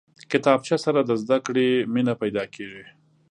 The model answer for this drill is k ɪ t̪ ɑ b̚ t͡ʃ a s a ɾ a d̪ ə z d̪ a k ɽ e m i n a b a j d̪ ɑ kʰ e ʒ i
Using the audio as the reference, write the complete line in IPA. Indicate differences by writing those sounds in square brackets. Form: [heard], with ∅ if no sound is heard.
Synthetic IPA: k ɪ t̪ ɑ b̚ t͡ʃ a s a ɾ a d̪ ə z d̪ a k ɽ e m i n a [p] a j d̪ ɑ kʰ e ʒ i